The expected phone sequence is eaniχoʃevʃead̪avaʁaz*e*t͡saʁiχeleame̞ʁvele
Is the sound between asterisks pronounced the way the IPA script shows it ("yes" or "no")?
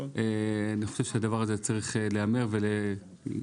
yes